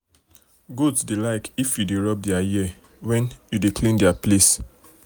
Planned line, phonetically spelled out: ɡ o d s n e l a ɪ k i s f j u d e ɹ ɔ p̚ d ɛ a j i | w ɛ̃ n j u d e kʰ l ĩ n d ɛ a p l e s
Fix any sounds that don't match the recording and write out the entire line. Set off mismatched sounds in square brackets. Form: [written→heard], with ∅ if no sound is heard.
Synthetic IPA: ɡ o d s [n→d] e l a ɪ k i [s→∅] f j u d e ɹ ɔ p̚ d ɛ a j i | w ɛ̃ n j u d e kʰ l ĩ n d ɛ a p l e s